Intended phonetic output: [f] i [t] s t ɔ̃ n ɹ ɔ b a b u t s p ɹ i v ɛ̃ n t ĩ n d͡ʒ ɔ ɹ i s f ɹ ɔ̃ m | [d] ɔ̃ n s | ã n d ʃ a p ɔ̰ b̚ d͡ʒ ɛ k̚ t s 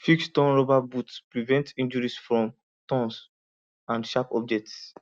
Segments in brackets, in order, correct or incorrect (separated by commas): correct, incorrect, incorrect